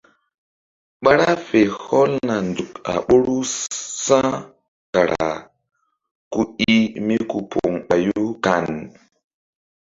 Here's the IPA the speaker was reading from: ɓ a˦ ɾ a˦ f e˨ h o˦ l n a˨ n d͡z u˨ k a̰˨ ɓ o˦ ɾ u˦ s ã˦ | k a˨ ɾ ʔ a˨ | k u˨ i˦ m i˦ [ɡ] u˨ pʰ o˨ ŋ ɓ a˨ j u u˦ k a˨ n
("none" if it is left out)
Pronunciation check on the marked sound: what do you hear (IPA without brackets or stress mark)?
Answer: k